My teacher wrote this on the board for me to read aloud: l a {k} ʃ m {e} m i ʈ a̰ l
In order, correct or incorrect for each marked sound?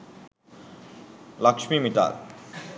correct, incorrect: i

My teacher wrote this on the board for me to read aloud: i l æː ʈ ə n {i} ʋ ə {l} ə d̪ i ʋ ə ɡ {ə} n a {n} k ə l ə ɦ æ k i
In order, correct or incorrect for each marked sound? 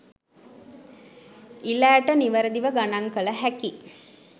correct, incorrect: ɾ, incorrect: a, incorrect: ŋ

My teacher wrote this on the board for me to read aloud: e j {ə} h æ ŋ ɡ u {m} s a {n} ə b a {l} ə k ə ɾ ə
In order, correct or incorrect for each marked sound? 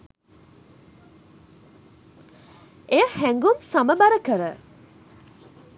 correct, correct, incorrect: m, incorrect: ɾ

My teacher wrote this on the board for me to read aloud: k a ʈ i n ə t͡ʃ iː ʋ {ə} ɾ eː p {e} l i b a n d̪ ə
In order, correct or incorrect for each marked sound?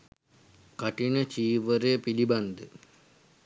correct, incorrect: i

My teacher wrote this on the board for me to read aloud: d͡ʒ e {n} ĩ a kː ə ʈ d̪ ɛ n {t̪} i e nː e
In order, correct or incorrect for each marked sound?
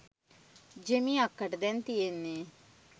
incorrect: m, correct

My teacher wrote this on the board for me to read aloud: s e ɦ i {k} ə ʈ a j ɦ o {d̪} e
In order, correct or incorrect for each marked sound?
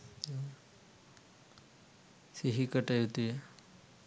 correct, incorrect: t̪

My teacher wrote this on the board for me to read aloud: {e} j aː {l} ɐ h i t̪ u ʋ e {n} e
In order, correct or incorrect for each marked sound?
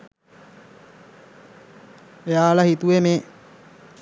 correct, correct, incorrect: m

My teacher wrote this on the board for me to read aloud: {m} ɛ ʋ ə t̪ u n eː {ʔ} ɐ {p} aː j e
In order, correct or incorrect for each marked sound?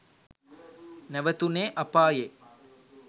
incorrect: n, correct, correct

